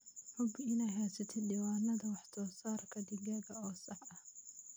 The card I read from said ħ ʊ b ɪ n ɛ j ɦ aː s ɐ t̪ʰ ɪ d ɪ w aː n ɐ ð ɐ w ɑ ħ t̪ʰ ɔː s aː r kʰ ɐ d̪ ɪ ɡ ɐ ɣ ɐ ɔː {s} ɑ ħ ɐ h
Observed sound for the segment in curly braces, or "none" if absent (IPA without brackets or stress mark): s